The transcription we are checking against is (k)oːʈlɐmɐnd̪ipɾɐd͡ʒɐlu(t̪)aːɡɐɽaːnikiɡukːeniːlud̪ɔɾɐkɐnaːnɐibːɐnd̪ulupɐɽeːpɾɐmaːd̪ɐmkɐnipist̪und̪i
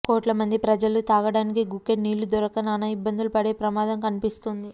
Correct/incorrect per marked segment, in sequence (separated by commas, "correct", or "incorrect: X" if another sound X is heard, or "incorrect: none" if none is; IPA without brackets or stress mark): correct, correct